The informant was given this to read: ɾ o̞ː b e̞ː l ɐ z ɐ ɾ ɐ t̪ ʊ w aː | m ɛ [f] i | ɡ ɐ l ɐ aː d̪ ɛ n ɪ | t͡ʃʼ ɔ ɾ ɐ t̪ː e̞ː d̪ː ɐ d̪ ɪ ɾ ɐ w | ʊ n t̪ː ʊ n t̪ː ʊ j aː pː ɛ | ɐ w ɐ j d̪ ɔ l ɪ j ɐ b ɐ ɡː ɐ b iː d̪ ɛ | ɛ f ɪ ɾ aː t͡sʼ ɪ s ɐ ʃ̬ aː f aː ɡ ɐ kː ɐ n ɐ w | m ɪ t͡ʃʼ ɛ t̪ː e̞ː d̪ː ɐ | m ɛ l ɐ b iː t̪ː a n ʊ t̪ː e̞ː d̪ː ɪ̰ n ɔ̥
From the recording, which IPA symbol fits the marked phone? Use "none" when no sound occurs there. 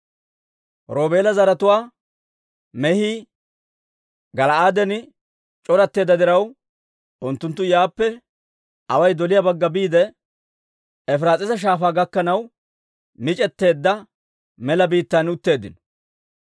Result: h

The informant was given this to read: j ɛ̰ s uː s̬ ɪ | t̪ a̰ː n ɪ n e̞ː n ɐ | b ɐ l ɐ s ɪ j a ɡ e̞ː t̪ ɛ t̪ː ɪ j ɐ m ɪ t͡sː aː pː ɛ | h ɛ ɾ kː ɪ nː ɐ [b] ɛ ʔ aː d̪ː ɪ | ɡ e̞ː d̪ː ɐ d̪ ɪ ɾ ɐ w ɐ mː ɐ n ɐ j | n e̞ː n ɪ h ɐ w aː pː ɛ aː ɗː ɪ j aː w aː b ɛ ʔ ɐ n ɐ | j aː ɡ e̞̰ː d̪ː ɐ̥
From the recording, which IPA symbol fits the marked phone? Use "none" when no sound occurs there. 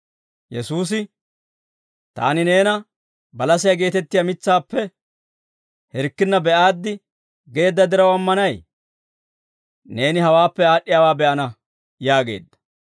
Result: b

